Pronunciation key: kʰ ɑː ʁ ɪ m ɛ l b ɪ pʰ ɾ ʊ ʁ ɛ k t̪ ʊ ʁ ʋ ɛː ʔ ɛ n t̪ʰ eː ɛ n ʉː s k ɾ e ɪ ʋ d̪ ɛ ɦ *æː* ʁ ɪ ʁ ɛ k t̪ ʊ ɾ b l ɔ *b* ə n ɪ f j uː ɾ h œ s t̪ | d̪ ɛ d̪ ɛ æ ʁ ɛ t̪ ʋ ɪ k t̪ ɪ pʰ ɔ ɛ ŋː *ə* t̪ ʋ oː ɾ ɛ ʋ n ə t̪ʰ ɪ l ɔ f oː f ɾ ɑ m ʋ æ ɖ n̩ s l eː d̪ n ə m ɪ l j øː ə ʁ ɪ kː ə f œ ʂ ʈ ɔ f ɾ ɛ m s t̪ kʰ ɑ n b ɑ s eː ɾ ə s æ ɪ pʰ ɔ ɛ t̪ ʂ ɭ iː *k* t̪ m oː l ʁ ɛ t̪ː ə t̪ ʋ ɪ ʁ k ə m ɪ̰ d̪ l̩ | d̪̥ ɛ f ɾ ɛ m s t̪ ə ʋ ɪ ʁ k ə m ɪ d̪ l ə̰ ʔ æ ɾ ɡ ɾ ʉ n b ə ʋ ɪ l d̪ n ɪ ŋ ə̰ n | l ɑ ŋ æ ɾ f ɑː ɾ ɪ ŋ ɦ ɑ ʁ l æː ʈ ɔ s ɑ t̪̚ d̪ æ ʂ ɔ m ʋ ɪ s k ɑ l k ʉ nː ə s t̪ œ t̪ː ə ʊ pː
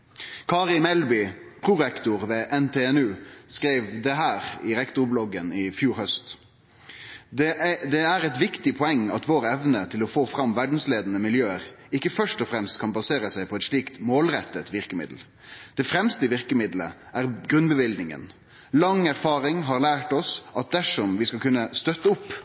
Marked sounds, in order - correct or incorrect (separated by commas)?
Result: correct, incorrect, incorrect, correct